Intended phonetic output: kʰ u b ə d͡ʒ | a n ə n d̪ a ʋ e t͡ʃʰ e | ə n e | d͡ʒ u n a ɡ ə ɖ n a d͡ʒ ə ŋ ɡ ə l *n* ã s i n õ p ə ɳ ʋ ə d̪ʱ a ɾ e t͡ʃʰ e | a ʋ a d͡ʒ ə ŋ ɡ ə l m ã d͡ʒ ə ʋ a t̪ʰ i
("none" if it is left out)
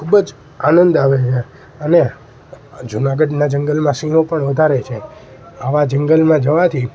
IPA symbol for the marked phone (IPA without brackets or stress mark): m